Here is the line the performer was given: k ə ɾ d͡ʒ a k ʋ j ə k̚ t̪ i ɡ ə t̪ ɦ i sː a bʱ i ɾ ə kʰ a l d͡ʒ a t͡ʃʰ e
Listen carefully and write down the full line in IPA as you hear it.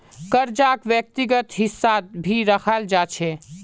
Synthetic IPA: k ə ɾ d͡ʒ a k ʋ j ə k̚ t̪ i ɡ ə t̪ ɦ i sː a bʱ i ɾ ə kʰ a l d͡ʒ a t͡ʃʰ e